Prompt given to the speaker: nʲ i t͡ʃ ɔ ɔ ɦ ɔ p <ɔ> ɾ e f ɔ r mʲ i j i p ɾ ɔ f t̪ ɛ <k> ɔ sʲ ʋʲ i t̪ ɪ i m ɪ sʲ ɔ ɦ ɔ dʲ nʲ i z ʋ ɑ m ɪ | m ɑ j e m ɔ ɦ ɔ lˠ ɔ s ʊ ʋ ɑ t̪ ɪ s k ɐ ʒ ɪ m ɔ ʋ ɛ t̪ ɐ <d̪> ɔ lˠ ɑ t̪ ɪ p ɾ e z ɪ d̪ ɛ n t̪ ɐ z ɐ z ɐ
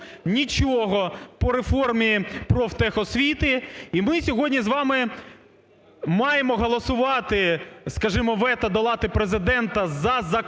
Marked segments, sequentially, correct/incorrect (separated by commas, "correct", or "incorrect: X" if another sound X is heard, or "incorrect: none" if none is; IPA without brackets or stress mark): correct, incorrect: x, correct